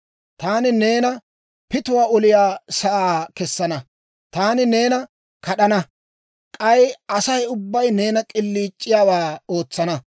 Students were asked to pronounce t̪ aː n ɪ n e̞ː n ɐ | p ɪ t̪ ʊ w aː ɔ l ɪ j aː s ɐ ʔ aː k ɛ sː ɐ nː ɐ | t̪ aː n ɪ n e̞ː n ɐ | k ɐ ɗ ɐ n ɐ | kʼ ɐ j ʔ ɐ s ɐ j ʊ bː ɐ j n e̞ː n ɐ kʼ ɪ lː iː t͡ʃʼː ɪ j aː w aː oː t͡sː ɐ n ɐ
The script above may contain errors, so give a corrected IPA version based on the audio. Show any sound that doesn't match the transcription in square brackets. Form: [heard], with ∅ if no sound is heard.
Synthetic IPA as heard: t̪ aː n ɪ n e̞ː n ɐ | p ɪ t̪ ʊ w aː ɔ l ɪ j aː s ɐ ʔ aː k ɛ sː ɐ [n] ɐ | t̪ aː n ɪ n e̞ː n ɐ | k ɐ ɗ ɐ n ɐ | kʼ ɐ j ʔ ɐ s ɐ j ʊ bː ɐ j n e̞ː n ɐ kʼ ɪ lː iː t͡ʃʼː ɪ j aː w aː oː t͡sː ɐ n ɐ